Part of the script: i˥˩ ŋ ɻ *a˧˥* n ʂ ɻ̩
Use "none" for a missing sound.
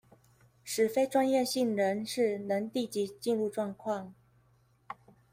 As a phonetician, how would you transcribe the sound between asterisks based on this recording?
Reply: ə˧˥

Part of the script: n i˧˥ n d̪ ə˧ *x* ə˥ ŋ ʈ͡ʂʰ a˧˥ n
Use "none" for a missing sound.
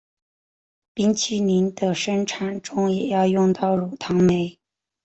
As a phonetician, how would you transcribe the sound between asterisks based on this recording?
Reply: ʂ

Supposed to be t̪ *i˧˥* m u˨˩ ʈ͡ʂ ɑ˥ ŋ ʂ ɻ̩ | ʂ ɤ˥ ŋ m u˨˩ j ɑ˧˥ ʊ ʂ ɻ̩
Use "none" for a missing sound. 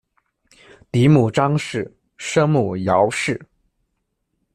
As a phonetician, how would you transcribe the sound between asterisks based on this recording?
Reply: i˧˥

